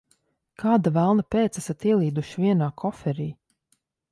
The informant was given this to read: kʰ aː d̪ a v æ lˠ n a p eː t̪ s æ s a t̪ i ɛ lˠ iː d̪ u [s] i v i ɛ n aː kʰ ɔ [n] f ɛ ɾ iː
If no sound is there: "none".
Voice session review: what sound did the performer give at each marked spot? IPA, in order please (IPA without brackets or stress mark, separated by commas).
ʃ, none